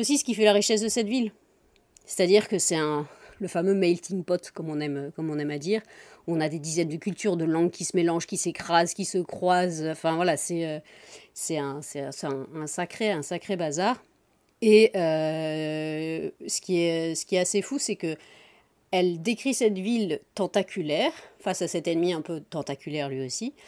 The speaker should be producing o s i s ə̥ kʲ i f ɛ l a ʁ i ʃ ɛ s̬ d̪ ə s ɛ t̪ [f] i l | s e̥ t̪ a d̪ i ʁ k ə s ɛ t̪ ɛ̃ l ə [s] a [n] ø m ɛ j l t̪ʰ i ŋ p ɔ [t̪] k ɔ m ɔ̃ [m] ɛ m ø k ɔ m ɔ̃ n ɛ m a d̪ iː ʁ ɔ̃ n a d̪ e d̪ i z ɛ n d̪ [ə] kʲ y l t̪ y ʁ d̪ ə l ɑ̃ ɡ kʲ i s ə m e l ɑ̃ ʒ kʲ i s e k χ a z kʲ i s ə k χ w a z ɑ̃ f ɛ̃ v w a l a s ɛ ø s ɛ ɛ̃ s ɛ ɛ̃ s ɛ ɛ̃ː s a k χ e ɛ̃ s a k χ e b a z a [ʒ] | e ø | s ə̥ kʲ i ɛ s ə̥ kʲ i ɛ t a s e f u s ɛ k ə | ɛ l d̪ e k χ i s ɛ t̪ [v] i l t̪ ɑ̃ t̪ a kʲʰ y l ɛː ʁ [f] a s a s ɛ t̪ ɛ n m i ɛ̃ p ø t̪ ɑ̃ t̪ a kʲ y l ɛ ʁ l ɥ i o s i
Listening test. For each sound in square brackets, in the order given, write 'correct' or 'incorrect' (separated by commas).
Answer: incorrect, incorrect, incorrect, correct, incorrect, correct, incorrect, correct, correct